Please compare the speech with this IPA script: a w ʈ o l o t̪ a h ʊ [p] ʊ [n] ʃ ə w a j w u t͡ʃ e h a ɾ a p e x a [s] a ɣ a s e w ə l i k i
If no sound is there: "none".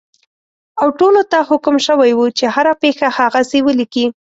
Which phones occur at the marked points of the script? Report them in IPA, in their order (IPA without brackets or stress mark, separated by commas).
k, m, h